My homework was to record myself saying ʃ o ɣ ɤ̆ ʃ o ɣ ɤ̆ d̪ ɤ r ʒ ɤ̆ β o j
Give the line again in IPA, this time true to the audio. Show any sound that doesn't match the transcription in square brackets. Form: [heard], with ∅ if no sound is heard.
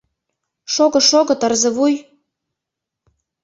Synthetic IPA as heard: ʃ o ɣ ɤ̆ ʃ o ɣ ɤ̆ [t̪] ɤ r [z] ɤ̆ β [u] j